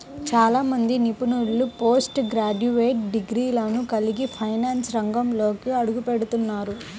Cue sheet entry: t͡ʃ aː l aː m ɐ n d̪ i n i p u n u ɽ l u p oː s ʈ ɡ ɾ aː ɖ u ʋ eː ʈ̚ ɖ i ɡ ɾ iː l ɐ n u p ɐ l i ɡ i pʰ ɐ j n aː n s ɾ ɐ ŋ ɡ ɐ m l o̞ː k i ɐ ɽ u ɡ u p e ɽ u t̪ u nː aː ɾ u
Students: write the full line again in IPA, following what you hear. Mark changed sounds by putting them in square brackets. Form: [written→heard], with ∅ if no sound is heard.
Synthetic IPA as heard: t͡ʃ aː l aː m ɐ n d̪ i n i p u n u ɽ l u p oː s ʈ ɡ ɾ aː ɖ u ʋ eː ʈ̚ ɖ i ɡ ɾ iː l ɐ n u [p→k] ɐ l i ɡ i pʰ ɐ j n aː n s ɾ ɐ ŋ ɡ ɐ m l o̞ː k i ɐ ɽ u ɡ u p e ɽ u t̪ u nː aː ɾ u